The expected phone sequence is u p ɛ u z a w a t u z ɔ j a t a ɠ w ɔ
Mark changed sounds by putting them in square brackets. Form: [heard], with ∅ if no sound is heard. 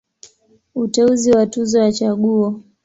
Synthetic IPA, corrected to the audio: u [t] ɛ u z [i] w a t u z ɔ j a [t͡ʃ] a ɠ [u] ɔ